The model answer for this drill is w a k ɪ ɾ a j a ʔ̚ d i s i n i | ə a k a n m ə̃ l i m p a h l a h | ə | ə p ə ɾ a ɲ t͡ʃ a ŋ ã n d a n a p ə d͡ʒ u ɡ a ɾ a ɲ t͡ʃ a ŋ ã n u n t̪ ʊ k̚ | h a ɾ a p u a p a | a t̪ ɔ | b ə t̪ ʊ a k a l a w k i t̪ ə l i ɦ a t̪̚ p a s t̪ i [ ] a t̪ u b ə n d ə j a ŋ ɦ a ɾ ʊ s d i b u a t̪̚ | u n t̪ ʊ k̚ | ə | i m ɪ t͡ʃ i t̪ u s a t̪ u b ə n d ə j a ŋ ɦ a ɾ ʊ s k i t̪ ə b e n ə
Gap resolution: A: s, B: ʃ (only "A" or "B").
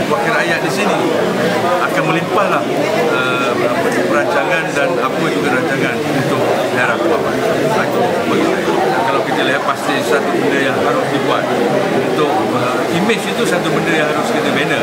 A